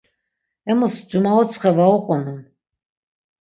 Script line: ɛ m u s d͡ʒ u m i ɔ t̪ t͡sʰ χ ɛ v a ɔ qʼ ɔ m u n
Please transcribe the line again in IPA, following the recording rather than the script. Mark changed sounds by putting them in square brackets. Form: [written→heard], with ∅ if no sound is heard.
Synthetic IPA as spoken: ɛ m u s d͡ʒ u m [i→a] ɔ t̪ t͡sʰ χ ɛ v a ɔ qʼ ɔ [m→n] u n